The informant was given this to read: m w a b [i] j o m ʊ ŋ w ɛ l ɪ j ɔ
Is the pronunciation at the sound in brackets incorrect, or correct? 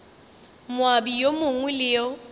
correct